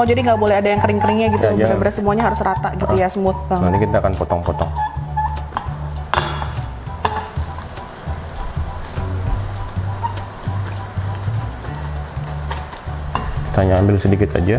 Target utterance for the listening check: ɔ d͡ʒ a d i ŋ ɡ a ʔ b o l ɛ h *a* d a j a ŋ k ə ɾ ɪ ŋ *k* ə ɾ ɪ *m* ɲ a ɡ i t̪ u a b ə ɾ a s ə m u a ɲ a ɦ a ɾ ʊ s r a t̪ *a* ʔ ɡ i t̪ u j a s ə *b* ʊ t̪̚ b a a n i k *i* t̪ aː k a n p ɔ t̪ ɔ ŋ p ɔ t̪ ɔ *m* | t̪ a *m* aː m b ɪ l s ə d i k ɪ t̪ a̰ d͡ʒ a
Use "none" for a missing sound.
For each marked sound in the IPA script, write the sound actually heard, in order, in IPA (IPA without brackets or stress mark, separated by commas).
a, k, ŋ, a, m, i, ŋ, ɲ